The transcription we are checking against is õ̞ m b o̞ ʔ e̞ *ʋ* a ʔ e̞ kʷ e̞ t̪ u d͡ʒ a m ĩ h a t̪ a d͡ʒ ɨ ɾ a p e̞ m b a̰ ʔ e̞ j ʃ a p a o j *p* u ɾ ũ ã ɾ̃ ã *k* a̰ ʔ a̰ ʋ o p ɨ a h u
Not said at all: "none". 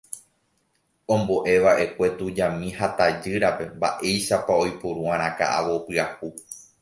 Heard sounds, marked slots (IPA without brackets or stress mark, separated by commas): ʋ, p, k